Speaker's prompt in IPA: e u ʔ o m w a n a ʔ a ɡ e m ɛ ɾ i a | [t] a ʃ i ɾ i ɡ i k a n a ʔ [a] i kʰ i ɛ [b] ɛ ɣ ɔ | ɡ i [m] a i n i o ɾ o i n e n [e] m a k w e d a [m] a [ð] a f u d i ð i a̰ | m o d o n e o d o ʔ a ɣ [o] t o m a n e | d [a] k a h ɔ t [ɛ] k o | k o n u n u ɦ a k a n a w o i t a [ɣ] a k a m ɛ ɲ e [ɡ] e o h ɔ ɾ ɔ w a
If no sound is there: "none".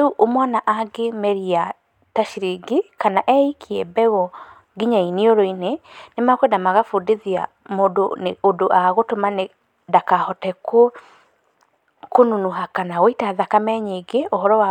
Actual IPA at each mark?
t, ɛ, b, ɲ, e, m, ɣ, o, a, ɛ, ð, ɡ

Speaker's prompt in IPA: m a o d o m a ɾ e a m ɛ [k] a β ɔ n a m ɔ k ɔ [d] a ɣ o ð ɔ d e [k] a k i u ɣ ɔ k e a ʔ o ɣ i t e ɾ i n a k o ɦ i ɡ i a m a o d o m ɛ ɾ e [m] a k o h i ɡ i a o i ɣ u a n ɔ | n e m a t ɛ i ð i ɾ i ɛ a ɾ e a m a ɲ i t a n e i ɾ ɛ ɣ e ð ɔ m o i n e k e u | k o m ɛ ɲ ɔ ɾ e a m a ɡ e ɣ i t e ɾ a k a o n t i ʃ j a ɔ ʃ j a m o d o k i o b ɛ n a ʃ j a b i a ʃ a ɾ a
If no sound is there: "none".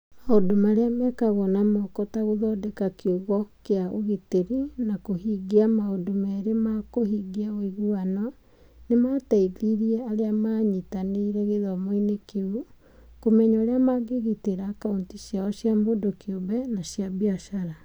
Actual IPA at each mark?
k, t, k, m

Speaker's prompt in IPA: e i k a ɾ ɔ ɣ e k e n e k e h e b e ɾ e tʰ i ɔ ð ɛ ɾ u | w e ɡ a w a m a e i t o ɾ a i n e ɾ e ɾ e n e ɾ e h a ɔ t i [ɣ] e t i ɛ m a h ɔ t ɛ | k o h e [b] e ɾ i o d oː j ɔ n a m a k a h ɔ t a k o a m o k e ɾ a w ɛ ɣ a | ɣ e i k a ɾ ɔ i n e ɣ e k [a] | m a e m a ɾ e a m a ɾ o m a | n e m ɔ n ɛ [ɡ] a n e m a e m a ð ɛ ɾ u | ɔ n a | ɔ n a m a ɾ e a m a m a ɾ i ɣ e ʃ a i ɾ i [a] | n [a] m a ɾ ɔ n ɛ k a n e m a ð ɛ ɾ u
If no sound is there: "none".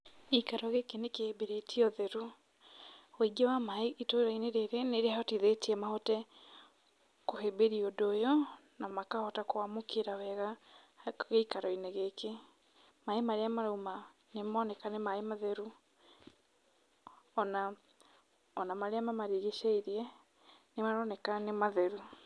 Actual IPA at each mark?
ð, b, e, k, ɛ, e

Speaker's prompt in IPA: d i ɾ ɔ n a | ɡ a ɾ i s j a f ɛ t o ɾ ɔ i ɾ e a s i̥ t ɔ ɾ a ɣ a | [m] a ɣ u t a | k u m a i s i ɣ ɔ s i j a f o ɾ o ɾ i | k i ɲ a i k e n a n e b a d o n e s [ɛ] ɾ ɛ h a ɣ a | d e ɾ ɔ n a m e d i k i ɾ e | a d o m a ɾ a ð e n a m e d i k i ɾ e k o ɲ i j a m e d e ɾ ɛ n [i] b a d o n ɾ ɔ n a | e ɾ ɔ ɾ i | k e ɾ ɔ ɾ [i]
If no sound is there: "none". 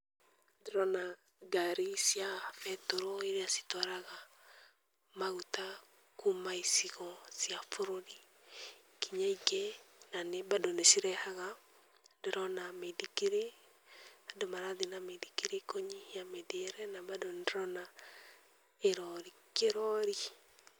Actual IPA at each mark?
m, i, a, i

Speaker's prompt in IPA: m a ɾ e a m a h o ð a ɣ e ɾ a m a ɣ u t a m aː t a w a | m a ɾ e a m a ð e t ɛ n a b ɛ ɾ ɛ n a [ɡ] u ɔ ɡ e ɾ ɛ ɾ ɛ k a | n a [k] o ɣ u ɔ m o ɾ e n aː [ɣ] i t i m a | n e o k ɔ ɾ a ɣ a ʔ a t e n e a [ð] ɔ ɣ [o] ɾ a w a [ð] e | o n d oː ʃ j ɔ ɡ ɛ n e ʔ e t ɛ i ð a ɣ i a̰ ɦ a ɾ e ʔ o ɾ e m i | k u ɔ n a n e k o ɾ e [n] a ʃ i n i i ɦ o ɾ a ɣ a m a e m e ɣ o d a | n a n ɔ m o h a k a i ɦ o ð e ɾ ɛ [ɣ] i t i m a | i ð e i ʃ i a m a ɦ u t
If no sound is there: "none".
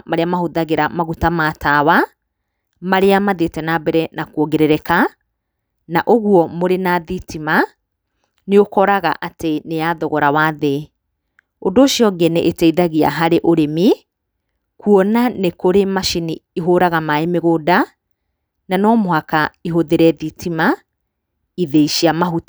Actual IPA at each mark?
k, ʔ, ð, ð, ɔ, ð, m, ð

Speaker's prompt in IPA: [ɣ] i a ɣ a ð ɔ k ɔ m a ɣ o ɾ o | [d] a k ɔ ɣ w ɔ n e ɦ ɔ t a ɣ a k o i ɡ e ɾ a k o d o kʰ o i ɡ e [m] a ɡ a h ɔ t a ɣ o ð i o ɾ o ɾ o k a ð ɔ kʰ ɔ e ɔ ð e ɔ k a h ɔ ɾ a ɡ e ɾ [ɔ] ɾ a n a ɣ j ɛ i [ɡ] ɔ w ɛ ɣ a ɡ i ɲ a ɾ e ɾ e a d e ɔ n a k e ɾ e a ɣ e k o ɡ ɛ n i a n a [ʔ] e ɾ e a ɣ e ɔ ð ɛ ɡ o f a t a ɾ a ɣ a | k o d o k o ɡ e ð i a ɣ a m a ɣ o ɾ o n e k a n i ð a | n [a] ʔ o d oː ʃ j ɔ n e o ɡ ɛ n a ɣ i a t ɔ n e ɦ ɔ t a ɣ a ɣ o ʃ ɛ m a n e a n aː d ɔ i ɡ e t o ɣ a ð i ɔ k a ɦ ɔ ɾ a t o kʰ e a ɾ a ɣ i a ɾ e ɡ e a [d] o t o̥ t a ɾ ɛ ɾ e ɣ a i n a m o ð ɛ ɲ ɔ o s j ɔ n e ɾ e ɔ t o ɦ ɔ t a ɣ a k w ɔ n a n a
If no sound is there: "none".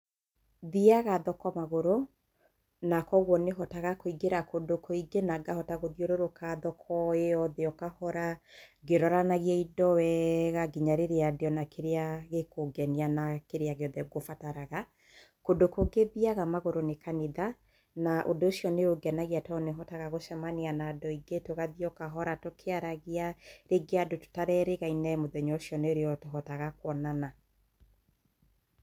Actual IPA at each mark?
ð, n, n, ɔ, d, k, a, d

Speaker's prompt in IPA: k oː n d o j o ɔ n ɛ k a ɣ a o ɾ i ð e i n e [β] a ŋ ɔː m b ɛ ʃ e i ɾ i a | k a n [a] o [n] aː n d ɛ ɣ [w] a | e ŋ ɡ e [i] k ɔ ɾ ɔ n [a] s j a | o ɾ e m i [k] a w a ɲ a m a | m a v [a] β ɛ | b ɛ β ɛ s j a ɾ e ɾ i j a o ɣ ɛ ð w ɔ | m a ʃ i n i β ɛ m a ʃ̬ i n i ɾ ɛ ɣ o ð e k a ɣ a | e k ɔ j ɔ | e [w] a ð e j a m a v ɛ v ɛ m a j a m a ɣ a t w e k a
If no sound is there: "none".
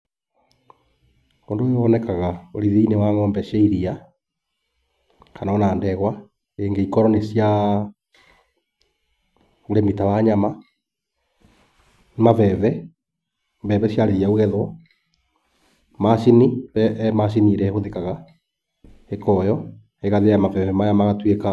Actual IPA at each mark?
w, a, n, w, i, e, t, ɛ, ɣ

